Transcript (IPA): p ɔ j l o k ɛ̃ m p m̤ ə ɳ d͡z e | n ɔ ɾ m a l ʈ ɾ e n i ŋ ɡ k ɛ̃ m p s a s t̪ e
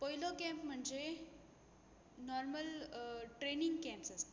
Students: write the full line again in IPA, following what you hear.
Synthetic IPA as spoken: p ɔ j l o k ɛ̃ m p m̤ ə ɳ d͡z e | n ɔ ɾ m ə l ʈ ɾ e n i ŋ ɡ k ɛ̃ m p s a s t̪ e